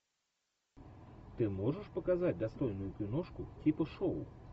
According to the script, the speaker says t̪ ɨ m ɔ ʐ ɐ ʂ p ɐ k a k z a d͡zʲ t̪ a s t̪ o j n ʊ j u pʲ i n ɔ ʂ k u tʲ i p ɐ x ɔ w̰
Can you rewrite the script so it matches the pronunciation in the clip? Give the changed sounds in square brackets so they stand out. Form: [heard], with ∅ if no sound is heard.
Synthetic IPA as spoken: t̪ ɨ m ɔ ʐ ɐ ʂ p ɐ k a [∅] z a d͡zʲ [d̪] a s t̪ [ɔ] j n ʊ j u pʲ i n ɔ ʂ k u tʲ i p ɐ [ʂ] ɔ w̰